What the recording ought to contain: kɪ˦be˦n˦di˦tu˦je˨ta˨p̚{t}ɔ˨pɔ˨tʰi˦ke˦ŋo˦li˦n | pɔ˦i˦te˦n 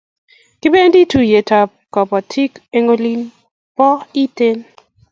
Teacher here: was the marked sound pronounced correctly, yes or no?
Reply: no